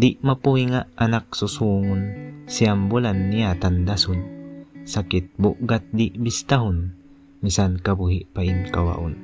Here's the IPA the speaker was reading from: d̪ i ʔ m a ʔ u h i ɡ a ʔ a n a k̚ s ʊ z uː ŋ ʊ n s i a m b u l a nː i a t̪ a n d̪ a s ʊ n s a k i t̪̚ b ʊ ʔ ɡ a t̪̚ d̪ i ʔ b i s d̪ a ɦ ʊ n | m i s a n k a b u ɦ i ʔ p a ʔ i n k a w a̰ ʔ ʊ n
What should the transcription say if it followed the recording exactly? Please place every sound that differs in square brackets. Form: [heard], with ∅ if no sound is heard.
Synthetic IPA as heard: d̪ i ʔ m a [p] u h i [ŋ] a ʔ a n a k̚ s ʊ [s] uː ŋ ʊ n s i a m b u l a nː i a t̪ a n d̪ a s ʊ n s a k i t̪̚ b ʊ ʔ ɡ a t̪̚ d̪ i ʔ b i s [t̪] a ɦ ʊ n | m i s a n k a b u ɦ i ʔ p a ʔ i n k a w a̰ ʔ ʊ n